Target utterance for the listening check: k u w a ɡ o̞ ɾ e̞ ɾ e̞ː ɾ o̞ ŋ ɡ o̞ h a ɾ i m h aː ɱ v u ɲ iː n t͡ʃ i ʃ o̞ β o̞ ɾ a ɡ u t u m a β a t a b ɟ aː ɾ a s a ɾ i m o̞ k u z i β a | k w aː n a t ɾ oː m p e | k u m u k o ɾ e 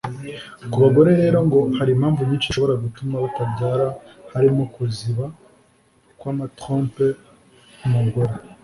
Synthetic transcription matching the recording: k u β a ɡ o̞ ɾ e̞ ɾ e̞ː ɾ o̞ ŋ ɡ o̞ h a ɾ i m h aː ɱ v u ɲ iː n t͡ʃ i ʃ o̞ β o̞ ɾ a ɡ u t u m a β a t a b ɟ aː ɾ a h a ɾ i m o̞ k u z i β a | k w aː m a t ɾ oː m p e | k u m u ɡ o ɾ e